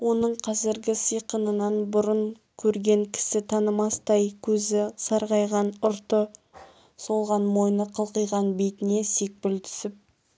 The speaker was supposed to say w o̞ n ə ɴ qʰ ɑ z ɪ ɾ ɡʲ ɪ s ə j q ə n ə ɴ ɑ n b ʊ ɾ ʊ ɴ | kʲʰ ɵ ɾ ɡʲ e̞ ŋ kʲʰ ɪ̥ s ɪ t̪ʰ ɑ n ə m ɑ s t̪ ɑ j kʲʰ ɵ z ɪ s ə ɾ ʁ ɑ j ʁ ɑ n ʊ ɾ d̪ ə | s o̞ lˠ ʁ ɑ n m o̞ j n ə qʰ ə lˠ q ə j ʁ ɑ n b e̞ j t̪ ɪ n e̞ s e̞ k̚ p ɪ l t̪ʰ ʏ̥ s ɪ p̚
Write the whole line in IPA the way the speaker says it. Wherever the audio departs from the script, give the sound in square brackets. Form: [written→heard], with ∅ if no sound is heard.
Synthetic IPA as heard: w o̞ n ə ɴ qʰ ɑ z ɪ ɾ ɡʲ ɪ s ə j q ə n ə [ɴ→n] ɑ n b ʊ ɾ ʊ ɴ | kʲʰ ɵ ɾ ɡʲ e̞ ŋ kʲʰ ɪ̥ s ɪ t̪ʰ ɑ n ə m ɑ s t̪ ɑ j kʲʰ ɵ z ɪ s [ə→ɑ] ɾ ʁ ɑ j ʁ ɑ n ʊ ɾ [d̪→t̪] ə | s o̞ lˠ ʁ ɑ n m o̞ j n ə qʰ ə lˠ q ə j ʁ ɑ n b e̞ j t̪ ɪ n e̞ s e̞ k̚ p ɪ l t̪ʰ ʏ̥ s ɪ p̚